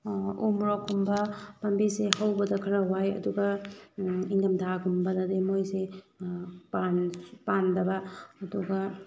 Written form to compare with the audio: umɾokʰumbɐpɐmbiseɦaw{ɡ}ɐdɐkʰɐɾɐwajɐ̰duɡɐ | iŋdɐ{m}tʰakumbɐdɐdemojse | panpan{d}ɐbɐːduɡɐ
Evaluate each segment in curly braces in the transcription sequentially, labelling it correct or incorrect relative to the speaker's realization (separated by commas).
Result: incorrect, correct, correct